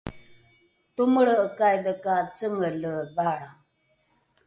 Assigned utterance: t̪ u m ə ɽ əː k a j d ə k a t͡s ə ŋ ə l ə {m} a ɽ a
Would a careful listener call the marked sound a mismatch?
yes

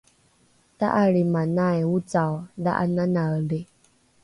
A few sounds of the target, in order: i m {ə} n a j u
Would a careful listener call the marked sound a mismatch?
yes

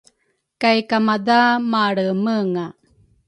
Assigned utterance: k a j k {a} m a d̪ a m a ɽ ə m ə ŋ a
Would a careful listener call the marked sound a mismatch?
no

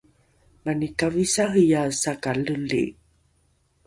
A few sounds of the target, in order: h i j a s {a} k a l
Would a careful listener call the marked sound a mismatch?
no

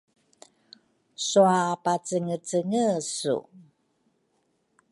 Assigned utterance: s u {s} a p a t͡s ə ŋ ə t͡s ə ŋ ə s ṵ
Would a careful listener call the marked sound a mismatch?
yes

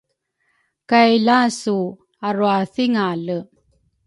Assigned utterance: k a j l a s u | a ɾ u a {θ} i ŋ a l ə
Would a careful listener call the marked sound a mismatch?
no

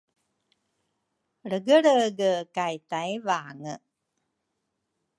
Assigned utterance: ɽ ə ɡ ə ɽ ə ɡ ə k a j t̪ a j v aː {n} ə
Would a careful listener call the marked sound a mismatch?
yes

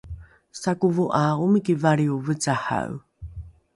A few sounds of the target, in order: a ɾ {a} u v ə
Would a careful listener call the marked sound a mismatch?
yes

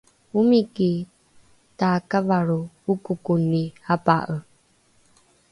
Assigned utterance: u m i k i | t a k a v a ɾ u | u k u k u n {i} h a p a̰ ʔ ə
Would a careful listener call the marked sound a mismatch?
no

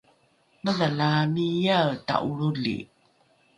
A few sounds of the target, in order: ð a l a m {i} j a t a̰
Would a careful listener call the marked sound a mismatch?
no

